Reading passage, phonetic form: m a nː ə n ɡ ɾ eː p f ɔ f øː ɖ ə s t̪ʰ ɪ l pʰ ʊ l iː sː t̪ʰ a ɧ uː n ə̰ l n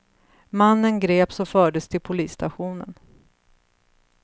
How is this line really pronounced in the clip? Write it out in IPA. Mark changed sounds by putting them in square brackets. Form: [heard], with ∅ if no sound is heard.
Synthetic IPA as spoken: m a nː ə n ɡ ɾ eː p [s] ɔ f [œː] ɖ ə s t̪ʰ ɪ l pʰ ʊ l iː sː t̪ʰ a ɧ uː n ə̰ [∅] n